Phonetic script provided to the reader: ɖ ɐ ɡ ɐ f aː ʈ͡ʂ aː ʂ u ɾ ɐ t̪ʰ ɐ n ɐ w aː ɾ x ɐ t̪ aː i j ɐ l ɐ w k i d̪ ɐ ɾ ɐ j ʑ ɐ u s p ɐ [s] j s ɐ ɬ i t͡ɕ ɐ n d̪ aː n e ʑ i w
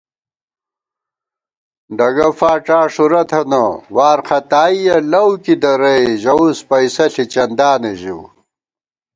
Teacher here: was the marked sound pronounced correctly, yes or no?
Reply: no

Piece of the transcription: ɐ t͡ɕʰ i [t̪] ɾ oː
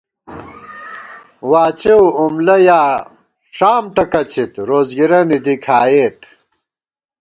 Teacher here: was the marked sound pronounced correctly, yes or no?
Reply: yes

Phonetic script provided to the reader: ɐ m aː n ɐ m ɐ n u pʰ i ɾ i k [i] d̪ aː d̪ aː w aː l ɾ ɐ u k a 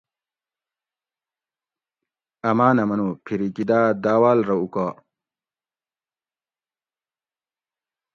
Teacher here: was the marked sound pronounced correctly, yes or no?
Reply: yes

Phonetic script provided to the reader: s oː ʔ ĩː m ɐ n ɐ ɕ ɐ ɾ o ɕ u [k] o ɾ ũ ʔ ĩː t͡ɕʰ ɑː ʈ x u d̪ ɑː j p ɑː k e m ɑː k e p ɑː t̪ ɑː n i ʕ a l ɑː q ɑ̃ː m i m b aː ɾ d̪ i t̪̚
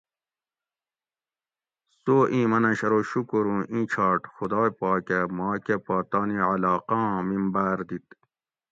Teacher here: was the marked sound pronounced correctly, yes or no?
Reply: yes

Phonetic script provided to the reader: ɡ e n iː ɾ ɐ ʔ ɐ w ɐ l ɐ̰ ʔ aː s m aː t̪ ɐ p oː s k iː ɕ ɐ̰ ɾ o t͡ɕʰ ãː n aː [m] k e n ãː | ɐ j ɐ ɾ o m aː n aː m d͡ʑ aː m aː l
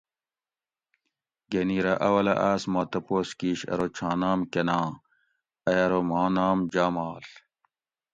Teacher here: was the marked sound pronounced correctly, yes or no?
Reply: yes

